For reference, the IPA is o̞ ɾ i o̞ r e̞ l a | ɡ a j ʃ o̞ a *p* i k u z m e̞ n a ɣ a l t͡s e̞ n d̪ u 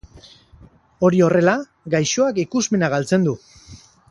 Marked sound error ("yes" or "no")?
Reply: yes